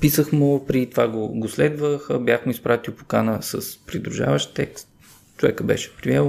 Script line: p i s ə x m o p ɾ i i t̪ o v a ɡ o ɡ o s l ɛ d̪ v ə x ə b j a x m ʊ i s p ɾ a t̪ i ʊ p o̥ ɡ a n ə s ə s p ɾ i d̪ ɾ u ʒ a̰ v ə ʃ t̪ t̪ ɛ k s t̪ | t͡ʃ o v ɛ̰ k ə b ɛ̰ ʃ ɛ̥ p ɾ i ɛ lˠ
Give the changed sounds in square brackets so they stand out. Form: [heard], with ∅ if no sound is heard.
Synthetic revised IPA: p i s ə x m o p ɾ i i t̪ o v a ɡ o ɡ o s l ɛ d̪ v ə x ə b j a x m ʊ i s p ɾ a t̪ i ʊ p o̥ [k] a n ə s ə s p ɾ i d̪ ɾ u ʒ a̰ v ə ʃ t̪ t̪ ɛ k s t̪ | t͡ʃ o v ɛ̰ k ə b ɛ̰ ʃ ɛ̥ p ɾ i ɛ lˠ